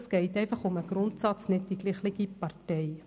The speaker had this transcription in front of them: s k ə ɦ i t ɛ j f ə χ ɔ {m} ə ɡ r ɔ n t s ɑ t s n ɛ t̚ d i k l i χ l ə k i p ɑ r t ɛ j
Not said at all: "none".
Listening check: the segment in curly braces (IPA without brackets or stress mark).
m